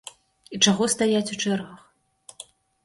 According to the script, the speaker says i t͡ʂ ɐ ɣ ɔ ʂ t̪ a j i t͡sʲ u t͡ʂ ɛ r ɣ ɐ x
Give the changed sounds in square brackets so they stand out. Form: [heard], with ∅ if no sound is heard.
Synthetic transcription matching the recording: i t͡ʂ [a] ɣ ɔ [s] t̪ a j [a] t͡sʲ u t͡ʂ ɛ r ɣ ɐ x